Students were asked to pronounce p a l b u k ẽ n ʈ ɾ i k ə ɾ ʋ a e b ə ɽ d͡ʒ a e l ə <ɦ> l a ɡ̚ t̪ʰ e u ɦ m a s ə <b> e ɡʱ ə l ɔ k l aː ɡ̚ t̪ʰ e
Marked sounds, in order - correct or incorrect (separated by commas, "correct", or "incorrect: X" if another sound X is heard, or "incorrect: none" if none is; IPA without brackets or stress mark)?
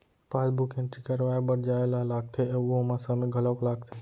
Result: correct, incorrect: m